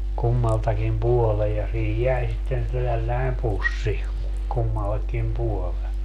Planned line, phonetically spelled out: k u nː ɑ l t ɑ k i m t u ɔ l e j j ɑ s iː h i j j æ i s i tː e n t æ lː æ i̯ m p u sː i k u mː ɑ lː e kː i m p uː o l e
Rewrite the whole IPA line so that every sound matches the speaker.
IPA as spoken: k u mː ɑ l t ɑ k i m p u ɔ l e j j ɑ s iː h i j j æ i s i tː e n t æ lː æ i̯ m p u sː i k u mː ɑ lː e kː i m p u o l e